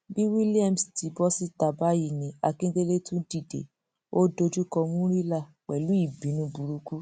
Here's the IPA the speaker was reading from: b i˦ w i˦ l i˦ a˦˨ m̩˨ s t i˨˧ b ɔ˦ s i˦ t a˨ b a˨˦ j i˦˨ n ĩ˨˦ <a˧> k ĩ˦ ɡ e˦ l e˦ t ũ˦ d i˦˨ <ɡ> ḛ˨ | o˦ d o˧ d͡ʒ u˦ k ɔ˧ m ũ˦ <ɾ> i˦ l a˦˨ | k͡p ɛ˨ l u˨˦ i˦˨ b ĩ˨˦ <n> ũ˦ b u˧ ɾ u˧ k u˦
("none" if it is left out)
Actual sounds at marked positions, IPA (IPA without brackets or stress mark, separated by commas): a˧, d, ɾ, n